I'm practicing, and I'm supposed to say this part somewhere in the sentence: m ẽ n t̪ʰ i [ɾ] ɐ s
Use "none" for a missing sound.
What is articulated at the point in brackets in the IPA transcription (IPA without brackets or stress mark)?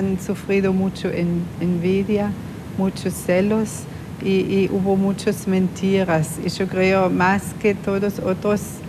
ɾ